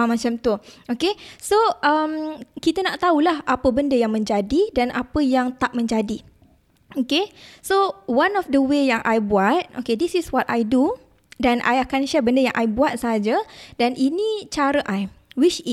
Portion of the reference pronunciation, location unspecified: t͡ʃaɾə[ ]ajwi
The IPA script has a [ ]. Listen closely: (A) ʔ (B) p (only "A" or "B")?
A